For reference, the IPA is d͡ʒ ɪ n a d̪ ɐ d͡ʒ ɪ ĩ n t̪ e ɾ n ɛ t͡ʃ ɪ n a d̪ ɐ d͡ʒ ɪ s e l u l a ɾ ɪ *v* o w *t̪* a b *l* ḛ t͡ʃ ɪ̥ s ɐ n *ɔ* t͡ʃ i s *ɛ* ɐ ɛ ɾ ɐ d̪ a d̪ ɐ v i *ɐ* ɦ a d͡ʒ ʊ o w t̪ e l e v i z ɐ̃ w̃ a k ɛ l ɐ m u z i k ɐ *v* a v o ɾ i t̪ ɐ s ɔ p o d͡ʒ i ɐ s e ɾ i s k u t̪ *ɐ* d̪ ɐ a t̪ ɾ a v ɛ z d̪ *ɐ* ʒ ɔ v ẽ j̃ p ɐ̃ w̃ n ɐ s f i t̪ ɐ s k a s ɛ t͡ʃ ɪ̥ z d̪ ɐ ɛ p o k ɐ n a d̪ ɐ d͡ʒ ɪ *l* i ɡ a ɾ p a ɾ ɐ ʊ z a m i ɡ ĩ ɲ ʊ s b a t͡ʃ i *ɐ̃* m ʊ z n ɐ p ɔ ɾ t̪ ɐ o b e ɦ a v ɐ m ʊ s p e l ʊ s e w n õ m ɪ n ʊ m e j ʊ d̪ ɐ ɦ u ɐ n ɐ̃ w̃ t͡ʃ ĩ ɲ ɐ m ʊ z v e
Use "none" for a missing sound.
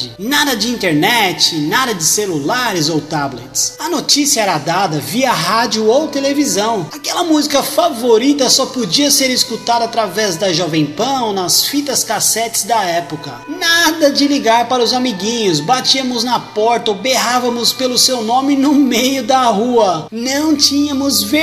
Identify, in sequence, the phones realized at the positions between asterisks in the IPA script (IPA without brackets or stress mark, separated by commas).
z, t̪, l, o, i, ɐ, f, a, ɐ, l, ɐ